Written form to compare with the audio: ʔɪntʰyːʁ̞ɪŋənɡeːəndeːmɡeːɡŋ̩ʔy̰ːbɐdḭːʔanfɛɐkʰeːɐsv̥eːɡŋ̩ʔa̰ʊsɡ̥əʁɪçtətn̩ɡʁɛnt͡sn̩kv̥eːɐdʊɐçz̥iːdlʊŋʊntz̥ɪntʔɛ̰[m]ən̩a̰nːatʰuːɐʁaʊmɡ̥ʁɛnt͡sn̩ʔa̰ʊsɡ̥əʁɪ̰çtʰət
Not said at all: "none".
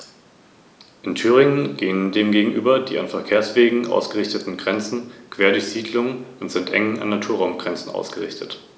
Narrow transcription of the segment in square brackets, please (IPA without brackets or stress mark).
ŋ